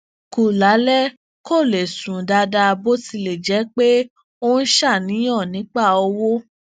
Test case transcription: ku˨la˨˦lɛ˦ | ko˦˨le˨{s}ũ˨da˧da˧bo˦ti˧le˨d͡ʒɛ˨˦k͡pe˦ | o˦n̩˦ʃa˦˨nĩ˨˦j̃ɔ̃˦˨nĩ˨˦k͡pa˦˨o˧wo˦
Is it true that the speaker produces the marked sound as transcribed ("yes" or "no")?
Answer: yes